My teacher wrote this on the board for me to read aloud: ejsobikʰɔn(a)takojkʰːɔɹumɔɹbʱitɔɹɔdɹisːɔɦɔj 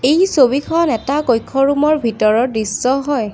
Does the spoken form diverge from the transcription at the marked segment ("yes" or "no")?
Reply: yes